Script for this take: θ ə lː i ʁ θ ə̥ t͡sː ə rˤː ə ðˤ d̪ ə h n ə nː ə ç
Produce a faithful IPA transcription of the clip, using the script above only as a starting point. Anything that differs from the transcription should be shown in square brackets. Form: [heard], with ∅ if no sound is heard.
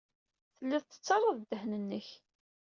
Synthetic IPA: θ ə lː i [ð] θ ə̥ t͡sː [ɑ] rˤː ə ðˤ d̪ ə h n ə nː ə ç